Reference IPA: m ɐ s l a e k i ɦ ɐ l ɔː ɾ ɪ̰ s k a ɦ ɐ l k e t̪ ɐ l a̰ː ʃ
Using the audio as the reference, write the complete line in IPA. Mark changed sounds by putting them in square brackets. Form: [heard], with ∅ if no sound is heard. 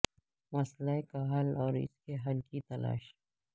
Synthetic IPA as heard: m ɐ s l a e k [a] ɦ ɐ l ɔː ɾ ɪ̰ s k [e] ɦ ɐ l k [i] t̪ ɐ l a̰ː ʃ